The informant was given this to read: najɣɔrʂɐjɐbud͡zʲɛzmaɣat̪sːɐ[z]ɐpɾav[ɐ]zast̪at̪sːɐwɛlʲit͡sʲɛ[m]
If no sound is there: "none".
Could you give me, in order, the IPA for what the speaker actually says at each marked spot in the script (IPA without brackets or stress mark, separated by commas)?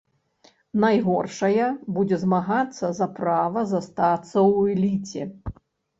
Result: z, ɐ, none